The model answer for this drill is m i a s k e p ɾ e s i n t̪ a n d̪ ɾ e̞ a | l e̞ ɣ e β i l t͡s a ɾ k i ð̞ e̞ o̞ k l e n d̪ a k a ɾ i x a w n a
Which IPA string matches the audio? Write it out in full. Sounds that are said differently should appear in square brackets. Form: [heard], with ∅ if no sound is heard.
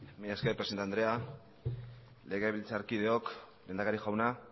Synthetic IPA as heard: m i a s k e p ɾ e s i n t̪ a n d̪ ɾ e̞ a | l e̞ ɣ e β i l t͡s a ɾ k i ð̞ e̞ o̞ k l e n d̪ a k a ɾ i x a w n a